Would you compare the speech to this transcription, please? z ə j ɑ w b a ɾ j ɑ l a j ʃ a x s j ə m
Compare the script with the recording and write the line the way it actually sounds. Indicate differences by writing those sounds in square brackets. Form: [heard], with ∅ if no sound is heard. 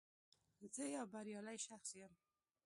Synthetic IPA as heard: z ə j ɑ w b a ɾ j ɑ l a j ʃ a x s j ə m